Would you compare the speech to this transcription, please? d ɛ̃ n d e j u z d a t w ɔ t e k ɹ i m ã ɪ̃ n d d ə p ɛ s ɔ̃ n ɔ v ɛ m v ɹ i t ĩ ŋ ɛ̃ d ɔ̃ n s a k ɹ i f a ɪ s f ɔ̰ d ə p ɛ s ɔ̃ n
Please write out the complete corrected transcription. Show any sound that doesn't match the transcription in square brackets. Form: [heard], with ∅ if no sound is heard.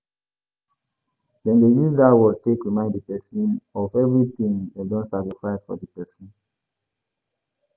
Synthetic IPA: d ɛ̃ n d e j u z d a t w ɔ t e k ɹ i m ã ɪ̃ n d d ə p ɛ s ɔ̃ n ɔ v ɛ [∅] v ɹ i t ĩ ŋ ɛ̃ d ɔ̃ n s a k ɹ i f a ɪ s f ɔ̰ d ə p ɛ s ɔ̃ n

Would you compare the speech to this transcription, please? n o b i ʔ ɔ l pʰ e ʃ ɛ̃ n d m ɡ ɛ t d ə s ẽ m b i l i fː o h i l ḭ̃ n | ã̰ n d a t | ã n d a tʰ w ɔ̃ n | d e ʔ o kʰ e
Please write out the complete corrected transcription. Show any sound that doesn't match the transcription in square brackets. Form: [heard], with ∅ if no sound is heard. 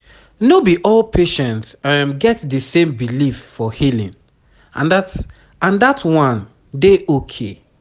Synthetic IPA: n o b i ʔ ɔ l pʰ e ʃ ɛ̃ n [t] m ɡ ɛ t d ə s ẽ m b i l i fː [ɔ] h i l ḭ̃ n | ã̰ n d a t | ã n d a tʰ w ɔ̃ n | d e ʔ o kʰ e

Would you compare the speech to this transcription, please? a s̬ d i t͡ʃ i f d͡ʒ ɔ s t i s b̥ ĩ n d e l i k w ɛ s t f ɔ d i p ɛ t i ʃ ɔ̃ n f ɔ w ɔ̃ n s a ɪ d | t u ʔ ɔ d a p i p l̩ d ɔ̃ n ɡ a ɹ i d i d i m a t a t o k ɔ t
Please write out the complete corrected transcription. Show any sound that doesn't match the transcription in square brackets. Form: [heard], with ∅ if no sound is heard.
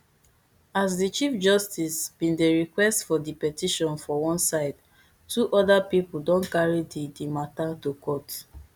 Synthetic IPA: a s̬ d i t͡ʃ i f d͡ʒ ɔ s t i s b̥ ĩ n d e [ɹ] i k w ɛ s t f ɔ d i p ɛ t i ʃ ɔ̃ n f ɔ w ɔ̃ n s a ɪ d | t u ʔ ɔ d a p i p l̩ d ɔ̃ n [k] a ɹ i d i d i m a t a t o k ɔ t

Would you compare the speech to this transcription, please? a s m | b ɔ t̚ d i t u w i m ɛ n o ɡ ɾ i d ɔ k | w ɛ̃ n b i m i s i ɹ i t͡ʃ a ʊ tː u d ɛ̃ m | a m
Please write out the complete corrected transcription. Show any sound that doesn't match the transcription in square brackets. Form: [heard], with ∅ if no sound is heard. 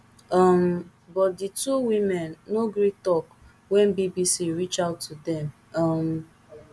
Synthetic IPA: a [∅] m | b ɔ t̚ d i t u w i m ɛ [nː] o ɡ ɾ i [t] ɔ k | w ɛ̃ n b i [b] i s i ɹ i t͡ʃ a ʊ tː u d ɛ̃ m | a m

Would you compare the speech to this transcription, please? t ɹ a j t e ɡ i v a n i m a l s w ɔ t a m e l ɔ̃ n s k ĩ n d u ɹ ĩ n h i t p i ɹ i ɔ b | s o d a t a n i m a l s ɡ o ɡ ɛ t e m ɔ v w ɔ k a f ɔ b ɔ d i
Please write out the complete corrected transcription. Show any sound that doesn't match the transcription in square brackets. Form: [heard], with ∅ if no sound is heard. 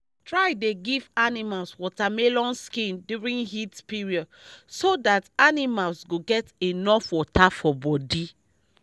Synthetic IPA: t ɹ a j [d] e ɡ i v a n i m a l s w ɔ t a m e l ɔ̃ n s k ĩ n d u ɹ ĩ n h i t p i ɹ i ɔ [d] | s o d a t a n i m a l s ɡ o ɡ ɛ t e [n] ɔ [f] w ɔ [t] a f ɔ b ɔ d i

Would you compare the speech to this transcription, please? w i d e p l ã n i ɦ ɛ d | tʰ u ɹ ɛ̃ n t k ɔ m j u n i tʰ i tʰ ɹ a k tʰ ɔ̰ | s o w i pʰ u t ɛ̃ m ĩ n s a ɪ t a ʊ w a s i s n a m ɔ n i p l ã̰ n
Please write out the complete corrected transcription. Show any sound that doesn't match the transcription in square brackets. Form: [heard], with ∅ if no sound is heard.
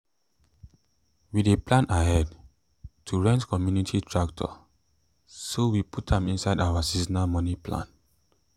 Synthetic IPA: w i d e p l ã n [a] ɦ ɛ d | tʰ u ɹ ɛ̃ n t k ɔ m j u n i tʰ i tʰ ɹ a k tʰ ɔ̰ | s o w i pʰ u t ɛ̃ m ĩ n s a ɪ [d] a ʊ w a s i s n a m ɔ n i p l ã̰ n

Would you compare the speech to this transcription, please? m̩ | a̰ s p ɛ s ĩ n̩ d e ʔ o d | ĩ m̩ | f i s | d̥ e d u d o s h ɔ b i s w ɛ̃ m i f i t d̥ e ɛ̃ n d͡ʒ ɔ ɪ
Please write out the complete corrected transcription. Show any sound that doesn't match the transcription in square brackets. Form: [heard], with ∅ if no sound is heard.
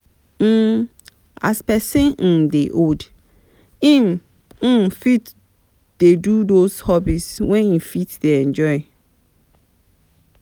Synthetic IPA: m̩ | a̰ s p ɛ s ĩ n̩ d e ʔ o d | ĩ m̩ | f i [t] | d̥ e d u d o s h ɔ b i s w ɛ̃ [n] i f i t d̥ e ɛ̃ n d͡ʒ ɔ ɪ

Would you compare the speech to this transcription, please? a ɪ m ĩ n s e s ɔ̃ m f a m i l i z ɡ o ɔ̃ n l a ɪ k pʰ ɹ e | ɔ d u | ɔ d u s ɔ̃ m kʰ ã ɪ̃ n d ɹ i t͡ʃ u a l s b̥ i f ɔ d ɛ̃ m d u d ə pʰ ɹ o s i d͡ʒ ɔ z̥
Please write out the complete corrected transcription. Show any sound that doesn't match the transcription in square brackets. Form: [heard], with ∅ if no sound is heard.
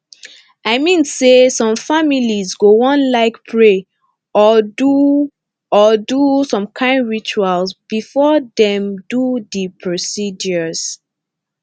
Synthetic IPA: a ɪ m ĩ n s e s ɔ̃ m f a m i l i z ɡ o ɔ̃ n l a ɪ k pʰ ɹ e | ɔ d u | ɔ d u s ɔ̃ m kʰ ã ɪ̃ n d ɹ i t͡ʃ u a l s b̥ i f ɔ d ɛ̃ m d u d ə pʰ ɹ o s i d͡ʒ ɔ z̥

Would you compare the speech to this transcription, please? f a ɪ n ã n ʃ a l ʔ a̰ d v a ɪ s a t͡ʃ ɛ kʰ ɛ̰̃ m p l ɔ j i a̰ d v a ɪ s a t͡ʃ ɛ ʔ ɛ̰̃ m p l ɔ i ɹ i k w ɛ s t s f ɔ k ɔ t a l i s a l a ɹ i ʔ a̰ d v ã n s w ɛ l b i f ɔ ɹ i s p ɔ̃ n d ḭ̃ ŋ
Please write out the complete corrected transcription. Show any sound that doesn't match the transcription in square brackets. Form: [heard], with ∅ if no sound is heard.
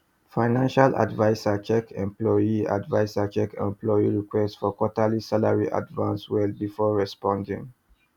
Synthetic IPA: f a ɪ n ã n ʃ a l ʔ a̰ d v a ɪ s a t͡ʃ ɛ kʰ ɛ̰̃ m p l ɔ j i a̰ d v a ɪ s a t͡ʃ ɛ [k] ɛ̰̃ m p l ɔ i ɹ i k w ɛ s t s f ɔ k ɔ t a l i s a l a ɹ i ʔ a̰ d v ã n s w ɛ l b i f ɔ ɹ [ɛ] s p ɔ̃ n d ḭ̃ ŋ

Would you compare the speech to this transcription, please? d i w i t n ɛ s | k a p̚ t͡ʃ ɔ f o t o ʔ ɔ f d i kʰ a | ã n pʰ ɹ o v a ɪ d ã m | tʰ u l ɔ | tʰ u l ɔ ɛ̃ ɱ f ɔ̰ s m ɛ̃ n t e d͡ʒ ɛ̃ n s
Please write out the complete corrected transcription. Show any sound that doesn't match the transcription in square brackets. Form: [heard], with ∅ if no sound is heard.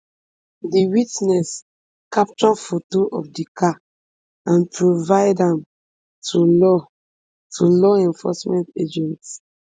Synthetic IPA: d i w i t n ɛ s | k a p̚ t͡ʃ ɔ f o t o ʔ ɔ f d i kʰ a | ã n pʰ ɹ o v a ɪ d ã m | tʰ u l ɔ | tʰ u l ɔ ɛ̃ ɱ f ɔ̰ s m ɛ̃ n t e d͡ʒ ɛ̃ n [t]

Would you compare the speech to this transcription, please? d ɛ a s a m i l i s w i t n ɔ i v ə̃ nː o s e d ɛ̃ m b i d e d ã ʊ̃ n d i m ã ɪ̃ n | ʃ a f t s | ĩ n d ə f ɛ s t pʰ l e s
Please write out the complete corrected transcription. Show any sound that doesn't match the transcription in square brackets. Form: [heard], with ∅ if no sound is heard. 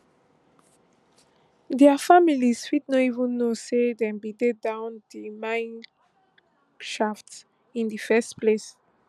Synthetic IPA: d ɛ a [f] a m i l i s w i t n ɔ i v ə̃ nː o s e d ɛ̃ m b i d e d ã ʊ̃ n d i m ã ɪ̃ n | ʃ a f t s | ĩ n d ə f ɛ s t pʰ l e s

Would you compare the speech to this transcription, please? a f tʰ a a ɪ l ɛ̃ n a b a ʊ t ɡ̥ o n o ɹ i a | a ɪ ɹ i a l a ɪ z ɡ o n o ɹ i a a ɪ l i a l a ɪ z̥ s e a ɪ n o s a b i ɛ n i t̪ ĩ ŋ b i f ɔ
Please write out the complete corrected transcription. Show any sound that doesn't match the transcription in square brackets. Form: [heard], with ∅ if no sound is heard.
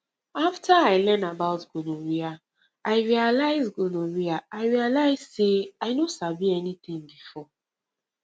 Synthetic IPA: a f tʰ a a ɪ l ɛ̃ n a b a ʊ t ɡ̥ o n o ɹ i a | a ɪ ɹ i a l a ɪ z ɡ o n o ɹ i a a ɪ [ɹ] i a l a ɪ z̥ s e a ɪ n o s a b i ɛ n i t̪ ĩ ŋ b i f ɔ

